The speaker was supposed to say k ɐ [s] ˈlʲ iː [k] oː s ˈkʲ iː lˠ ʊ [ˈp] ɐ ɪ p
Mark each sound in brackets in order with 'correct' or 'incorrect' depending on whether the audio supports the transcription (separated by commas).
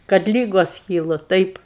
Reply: incorrect, incorrect, incorrect